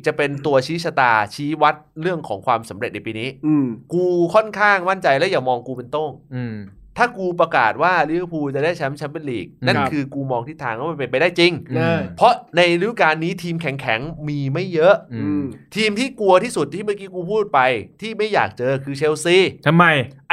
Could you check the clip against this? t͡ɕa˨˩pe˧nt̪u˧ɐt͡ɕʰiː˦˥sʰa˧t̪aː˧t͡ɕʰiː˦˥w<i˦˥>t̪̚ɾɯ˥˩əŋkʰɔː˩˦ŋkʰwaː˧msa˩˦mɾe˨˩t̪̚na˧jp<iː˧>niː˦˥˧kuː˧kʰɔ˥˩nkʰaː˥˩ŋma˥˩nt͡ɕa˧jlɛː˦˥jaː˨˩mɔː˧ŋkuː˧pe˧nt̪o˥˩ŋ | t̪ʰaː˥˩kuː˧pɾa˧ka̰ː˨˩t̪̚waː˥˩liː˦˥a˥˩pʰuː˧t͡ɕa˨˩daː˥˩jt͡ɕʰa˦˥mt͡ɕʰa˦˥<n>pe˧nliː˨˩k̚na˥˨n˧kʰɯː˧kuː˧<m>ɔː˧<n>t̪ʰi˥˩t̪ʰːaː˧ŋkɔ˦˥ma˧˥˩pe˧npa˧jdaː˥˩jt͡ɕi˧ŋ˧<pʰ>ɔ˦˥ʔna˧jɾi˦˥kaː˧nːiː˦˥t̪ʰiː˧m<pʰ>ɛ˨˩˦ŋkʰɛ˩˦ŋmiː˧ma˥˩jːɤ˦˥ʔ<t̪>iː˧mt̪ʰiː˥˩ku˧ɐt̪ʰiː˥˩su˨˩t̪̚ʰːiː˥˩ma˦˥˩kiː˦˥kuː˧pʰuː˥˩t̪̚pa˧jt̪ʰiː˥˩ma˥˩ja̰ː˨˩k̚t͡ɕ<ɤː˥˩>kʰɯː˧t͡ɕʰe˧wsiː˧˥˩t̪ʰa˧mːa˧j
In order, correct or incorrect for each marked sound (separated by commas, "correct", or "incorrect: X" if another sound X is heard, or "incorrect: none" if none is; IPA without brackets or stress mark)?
incorrect: a˦˥, correct, correct, correct, incorrect: ŋ, correct, incorrect: kʰ, incorrect: t̪ʰ, incorrect: ɤː˧